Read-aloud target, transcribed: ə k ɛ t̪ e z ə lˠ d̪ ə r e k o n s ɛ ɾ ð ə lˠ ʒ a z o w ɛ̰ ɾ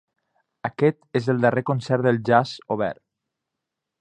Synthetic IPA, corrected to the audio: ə k ɛ t̪ e z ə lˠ d̪ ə r e k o n s ɛ ɾ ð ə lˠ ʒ a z o β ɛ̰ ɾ